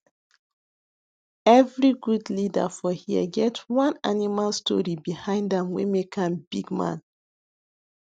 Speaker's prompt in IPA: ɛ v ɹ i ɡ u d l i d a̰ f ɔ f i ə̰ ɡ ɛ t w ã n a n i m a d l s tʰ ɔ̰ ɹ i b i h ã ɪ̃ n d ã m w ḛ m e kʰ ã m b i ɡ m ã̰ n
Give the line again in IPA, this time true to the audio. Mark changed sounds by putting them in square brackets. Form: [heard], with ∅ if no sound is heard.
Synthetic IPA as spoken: ɛ v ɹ i ɡ u d l i d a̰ f ɔ [h] i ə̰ ɡ ɛ t w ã n a n i m a [∅] l s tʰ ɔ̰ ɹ i b i h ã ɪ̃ n d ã m w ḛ m e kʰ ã m b i ɡ m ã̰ n